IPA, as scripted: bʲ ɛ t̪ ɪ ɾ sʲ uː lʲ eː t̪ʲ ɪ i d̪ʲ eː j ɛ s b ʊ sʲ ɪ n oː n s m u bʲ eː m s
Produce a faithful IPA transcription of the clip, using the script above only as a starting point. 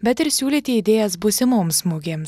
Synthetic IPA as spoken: bʲ ɛ t̪ ɪ ɾ sʲ uː lʲ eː t̪ʲ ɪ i d̪ʲ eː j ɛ s b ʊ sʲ ɪ m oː m s m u ɡʲ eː m s